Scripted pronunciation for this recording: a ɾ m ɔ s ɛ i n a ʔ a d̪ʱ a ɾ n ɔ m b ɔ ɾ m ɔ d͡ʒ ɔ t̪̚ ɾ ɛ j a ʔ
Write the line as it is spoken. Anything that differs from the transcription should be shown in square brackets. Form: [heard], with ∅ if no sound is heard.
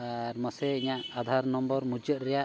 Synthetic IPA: a ɾ m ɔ s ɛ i [ɲ] a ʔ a d̪ʱ a ɾ n ɔ m b ɔ ɾ m [u] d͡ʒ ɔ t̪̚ ɾ ɛ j a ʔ